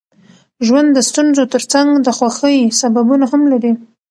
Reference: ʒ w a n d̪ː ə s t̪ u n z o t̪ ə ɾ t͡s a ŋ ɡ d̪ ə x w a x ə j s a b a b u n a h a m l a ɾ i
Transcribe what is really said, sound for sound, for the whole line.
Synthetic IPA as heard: ʒ w a n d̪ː ə s t̪ u n z o t̪ ə ɾ t͡s a ŋ ɡ d̪ ə x w a x ə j s a b a b u n a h a m l a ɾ i